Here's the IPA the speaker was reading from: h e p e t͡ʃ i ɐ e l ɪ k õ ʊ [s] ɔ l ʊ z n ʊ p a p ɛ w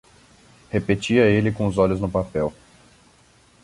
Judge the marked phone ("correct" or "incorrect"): incorrect